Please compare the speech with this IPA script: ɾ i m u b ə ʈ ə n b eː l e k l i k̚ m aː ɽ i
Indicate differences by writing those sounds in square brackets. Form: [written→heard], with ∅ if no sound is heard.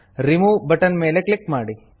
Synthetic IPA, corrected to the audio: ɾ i m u b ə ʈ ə n [b→m] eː l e k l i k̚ m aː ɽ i